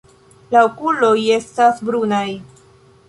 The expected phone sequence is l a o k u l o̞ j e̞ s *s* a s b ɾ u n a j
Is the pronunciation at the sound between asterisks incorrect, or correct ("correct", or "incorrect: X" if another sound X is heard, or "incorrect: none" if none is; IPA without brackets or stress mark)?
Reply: incorrect: t